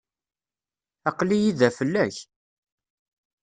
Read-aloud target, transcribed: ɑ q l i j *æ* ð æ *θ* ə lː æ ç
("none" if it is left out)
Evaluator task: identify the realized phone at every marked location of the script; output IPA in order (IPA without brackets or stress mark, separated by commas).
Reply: i, f